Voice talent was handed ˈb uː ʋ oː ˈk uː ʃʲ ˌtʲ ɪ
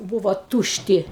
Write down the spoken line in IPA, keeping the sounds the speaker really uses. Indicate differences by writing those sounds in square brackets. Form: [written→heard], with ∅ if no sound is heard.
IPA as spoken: ˈb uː ʋ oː [ˈk→ˈt] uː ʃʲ ˌtʲ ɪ